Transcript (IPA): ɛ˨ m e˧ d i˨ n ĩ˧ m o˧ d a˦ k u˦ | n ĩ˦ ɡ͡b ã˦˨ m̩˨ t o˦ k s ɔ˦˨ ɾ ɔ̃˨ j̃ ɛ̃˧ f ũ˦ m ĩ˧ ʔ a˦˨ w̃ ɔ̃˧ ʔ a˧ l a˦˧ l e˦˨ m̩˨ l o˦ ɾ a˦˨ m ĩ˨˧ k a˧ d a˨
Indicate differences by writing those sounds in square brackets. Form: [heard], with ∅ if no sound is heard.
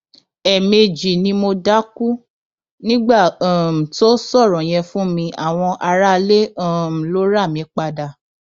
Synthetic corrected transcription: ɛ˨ m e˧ [d͡ʒ] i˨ n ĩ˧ m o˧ d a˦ k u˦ | n ĩ˦ ɡ͡b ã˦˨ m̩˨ t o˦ [∅] s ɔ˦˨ ɾ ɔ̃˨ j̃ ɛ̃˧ f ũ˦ m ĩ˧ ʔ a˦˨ w̃ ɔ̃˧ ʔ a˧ [ɾ] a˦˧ l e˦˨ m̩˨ l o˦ ɾ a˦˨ m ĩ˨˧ [k͡p] a˧ d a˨

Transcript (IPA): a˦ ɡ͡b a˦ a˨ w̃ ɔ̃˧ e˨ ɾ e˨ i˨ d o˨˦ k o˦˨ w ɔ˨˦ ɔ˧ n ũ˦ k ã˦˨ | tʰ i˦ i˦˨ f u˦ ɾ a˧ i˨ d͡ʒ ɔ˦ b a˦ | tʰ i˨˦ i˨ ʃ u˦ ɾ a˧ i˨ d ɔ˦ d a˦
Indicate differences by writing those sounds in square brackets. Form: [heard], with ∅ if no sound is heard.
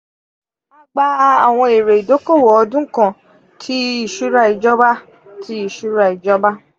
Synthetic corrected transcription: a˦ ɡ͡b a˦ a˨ w̃ ɔ̃˧ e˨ ɾ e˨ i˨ d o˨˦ k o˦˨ w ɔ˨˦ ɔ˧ [d] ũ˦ k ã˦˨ | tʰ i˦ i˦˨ [ʃ] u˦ ɾ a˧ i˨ d͡ʒ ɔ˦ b a˦ | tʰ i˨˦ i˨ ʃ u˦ ɾ a˧ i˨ [d͡ʒ] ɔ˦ [b] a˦

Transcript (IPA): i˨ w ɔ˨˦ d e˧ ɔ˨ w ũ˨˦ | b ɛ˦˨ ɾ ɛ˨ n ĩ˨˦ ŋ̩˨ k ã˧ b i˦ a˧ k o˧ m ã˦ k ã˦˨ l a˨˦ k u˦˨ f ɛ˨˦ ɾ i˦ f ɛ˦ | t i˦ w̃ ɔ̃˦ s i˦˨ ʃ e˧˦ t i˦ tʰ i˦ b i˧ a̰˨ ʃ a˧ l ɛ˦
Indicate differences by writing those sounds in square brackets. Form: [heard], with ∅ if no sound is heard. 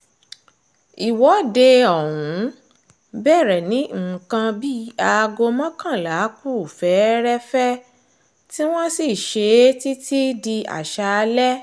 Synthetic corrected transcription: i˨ w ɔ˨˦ d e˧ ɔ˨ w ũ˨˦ | b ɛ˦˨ ɾ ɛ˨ n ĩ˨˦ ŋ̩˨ k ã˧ b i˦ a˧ [ɡ] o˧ m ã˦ k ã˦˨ l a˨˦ k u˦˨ f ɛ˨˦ ɾ [ɛ˦] f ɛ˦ | t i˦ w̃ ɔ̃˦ s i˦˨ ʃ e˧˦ t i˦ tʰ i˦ [d] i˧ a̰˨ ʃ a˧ l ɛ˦

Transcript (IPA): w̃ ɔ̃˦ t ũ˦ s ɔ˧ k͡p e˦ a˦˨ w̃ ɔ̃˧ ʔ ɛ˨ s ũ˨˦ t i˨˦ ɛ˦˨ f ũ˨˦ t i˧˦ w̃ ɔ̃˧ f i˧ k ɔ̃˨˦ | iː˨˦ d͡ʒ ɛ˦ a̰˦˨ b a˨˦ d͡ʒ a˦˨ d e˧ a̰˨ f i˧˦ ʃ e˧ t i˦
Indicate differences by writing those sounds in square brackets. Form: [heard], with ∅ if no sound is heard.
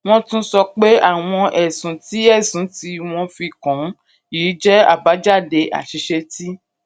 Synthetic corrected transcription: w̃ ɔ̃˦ t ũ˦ s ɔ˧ k͡p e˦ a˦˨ w̃ ɔ̃˧ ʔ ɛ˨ s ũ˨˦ t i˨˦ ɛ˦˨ [s] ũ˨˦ t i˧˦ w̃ ɔ̃˧ f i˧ k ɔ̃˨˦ | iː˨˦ d͡ʒ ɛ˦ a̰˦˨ b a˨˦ d͡ʒ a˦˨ d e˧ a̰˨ [ʃ] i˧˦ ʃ e˧ t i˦

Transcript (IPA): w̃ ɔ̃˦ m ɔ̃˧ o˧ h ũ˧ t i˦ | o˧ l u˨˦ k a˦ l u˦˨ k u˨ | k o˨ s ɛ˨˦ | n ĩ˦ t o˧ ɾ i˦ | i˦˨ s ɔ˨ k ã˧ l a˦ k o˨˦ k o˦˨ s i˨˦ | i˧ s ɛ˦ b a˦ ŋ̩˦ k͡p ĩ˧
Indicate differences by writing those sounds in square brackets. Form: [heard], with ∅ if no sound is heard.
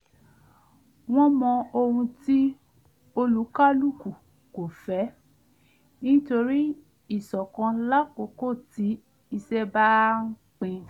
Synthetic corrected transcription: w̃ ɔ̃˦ m ɔ̃˧ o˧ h ũ˧ t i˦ | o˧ l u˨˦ k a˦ l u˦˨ k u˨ | k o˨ [f] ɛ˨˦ | n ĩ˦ t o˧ ɾ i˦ | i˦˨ s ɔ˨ k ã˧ l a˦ k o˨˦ k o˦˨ [t] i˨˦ | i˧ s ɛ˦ b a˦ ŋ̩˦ k͡p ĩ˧

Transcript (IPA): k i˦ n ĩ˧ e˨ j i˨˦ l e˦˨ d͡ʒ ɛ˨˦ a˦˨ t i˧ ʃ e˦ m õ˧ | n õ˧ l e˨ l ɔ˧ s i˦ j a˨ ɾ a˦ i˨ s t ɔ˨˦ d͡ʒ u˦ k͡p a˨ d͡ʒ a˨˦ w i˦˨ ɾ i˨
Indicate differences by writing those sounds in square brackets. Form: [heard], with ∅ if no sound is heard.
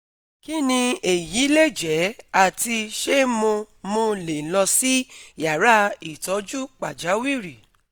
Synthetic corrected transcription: k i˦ n ĩ˧ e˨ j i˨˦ l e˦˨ d͡ʒ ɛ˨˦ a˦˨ t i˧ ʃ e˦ m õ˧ | [m] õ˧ l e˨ l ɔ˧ s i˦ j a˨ ɾ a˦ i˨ [∅] t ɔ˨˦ d͡ʒ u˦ k͡p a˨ d͡ʒ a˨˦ w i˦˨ ɾ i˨

